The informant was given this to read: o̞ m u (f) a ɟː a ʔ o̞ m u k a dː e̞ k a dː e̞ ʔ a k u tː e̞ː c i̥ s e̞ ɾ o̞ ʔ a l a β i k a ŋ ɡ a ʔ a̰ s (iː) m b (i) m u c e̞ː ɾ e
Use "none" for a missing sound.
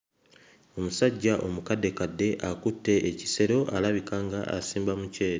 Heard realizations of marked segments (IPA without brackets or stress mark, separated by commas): s, iː, a